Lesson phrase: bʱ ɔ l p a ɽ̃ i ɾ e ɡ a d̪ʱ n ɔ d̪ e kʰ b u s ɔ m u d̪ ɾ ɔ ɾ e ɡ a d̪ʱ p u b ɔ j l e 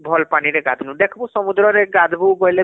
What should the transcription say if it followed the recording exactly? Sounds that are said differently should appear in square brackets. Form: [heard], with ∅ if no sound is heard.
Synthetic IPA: bʱ ɔ l p a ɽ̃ i ɾ e ɡ a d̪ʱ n [u] d̪ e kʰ b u s ɔ m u d̪ ɾ ɔ ɾ e ɡ a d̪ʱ [b] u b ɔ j l e

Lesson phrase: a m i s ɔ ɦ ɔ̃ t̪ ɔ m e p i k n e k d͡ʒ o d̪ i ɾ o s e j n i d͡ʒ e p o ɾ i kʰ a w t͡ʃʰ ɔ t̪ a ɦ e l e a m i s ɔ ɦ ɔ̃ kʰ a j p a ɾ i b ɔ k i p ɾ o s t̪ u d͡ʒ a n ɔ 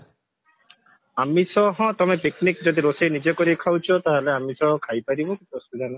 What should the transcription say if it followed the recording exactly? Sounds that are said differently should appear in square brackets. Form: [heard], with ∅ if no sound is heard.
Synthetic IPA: a m i s ɔ ɦ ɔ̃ t̪ ɔ m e p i k n [i] k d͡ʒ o d̪ i ɾ o s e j n i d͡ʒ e [k] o ɾ i kʰ a w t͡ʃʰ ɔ t̪ a ɦ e l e a m i s ɔ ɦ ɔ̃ kʰ a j p a ɾ i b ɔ k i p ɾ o s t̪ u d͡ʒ a n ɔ

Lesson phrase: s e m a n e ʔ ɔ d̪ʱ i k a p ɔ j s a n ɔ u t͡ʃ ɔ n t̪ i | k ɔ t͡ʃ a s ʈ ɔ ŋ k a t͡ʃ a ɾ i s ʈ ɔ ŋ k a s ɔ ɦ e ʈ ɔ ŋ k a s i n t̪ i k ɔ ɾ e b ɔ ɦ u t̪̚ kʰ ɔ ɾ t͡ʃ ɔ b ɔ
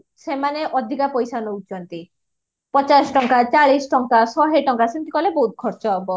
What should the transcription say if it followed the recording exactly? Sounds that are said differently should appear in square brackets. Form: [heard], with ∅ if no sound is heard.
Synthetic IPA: s e m a n e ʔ ɔ d̪ʱ i k a p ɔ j s a n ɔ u t͡ʃ ɔ n t̪ i | [p] ɔ t͡ʃ a s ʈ ɔ ŋ k a t͡ʃ a [ɭ] i s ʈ ɔ ŋ k a s ɔ ɦ e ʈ ɔ ŋ k a s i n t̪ i k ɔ [l] e b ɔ ɦ u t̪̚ kʰ ɔ ɾ t͡ʃ ɔ b ɔ

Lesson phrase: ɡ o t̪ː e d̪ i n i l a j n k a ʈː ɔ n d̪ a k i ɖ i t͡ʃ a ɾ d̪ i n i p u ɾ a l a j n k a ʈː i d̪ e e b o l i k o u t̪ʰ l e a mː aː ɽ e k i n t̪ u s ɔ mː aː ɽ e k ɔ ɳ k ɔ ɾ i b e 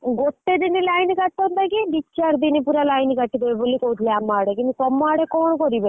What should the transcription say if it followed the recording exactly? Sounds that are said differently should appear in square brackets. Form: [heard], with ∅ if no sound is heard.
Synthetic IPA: ɡ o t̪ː e d̪ i n i l a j n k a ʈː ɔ n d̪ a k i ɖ i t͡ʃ a ɾ d̪ i n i p u ɾ a l a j n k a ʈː i d̪ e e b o l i k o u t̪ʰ l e a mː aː ɽ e k i n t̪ u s ɔ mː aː ɽ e k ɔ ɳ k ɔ ɾ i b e

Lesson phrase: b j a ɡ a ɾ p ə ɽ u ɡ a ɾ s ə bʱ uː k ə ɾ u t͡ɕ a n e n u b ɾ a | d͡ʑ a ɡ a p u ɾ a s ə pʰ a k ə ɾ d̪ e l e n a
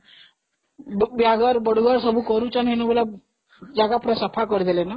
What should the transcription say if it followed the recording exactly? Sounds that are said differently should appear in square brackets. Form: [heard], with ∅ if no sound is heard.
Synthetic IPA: b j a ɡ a ɾ [b] ə ɽ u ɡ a ɾ s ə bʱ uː k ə ɾ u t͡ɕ a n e n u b [l] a | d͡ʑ a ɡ a p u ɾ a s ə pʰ a k ə ɾ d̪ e l e n a

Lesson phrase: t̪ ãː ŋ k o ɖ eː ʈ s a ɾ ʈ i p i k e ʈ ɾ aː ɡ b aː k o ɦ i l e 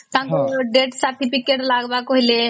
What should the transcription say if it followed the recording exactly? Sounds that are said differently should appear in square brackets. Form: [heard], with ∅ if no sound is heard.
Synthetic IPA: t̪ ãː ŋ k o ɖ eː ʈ s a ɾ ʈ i p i k e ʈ [l] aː ɡ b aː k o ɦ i l e

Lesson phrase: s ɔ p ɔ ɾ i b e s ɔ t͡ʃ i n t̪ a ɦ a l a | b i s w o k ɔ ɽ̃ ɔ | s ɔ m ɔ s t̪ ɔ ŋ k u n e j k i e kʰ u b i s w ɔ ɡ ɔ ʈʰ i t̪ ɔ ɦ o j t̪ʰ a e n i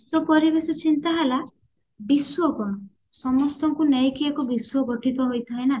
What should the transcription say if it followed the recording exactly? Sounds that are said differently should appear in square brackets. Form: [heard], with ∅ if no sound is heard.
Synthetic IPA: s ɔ p ɔ ɾ i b e s ɔ t͡ʃ i n t̪ a ɦ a l a | b i s w [ɔ] k ɔ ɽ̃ ɔ | s ɔ m ɔ s t̪ ɔ ŋ k u n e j k i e [k] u b i s w ɔ ɡ ɔ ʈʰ i t̪ ɔ ɦ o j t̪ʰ a e n [a]

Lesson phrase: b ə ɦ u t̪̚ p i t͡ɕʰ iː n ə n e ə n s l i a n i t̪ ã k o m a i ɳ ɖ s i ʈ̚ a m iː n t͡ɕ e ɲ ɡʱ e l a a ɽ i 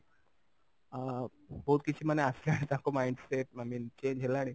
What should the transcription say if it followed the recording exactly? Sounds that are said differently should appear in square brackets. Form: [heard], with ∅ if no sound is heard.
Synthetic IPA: b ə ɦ u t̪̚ [k] i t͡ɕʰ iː [m] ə n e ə [∅] s l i a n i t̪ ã k o m a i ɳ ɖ s [e] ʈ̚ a m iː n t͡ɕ e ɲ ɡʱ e l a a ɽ i

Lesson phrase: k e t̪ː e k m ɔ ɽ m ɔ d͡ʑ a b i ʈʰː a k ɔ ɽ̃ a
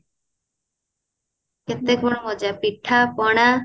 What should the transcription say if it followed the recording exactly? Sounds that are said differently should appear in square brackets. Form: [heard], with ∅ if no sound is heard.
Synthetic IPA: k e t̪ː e k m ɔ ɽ m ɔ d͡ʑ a [p] i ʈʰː a [p] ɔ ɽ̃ a

